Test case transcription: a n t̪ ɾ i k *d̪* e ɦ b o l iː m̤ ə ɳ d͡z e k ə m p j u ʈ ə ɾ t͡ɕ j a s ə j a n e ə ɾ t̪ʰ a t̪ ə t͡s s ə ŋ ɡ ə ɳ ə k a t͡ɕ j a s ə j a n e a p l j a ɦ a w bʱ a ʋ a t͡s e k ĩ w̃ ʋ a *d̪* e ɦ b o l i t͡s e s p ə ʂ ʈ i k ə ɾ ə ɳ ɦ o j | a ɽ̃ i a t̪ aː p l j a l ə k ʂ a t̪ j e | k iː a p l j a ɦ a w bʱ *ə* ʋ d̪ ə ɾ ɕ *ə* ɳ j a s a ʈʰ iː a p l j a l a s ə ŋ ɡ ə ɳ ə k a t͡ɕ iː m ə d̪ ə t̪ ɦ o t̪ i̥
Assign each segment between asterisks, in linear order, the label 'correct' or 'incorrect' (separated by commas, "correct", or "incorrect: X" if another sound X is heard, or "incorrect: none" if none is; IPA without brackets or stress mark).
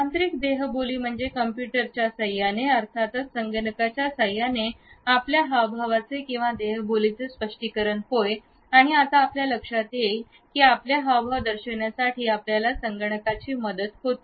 correct, correct, incorrect: a, correct